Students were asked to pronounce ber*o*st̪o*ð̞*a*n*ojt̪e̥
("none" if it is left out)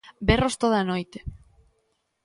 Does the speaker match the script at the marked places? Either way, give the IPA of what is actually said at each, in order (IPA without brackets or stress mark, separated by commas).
o, ð̞, n